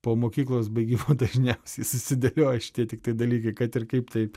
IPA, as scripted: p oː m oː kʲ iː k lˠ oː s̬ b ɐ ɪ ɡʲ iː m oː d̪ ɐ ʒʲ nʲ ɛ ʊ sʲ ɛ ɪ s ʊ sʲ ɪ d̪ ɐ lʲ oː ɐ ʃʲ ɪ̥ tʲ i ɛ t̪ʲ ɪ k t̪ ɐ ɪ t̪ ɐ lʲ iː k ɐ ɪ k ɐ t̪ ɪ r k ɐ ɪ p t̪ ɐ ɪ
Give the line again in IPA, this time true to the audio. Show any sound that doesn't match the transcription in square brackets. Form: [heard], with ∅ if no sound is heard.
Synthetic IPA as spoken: p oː m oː kʲ iː k lˠ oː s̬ b ɐ ɪ ɡʲ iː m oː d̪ ɐ ʒʲ nʲ ɛ ʊ sʲ ɛ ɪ s ʊ sʲ ɪ d̪ ɐ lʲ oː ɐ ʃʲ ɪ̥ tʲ i ɛ t̪ʲ ɪ k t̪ ɐ ɪ [d̪] ɐ lʲ iː k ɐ ɪ k ɐ t̪ ɪ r k ɐ ɪ p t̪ ɐ ɪ